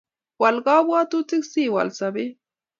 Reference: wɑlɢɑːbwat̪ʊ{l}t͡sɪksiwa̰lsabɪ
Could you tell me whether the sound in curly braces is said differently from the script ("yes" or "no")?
yes